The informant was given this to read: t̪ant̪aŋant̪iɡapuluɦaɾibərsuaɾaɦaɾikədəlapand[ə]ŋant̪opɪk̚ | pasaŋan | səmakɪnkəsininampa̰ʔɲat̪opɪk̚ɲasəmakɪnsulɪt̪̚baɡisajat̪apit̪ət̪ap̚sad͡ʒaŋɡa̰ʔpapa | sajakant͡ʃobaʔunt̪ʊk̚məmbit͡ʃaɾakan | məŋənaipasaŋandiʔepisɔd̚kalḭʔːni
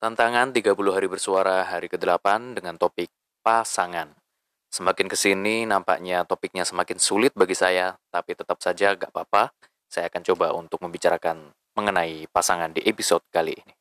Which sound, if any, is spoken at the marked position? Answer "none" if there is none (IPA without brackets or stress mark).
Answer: ə